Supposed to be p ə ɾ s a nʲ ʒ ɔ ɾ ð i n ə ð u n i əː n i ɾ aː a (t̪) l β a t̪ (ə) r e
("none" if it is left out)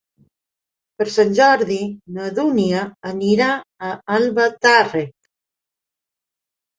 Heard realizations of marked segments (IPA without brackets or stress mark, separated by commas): none, a